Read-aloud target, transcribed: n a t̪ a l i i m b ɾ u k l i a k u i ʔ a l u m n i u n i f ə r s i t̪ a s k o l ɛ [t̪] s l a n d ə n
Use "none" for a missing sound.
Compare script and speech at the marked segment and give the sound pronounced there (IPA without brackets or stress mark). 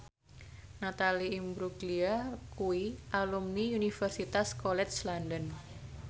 t̪